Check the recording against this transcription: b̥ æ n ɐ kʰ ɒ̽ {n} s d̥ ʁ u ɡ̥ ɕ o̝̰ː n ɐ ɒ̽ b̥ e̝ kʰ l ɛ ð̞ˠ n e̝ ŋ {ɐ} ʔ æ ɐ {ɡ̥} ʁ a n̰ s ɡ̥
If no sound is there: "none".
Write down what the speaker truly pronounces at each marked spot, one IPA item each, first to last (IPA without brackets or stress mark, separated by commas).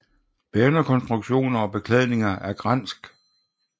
n, ɐ, ɡ̥